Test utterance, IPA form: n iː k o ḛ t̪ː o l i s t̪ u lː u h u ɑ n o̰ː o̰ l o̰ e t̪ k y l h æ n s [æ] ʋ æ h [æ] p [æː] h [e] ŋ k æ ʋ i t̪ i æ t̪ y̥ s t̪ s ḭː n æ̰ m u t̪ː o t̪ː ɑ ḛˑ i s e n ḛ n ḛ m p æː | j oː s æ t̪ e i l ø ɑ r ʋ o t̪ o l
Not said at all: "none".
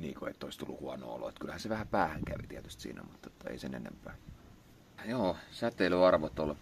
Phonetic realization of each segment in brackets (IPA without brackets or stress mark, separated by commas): e, æ, æː, æ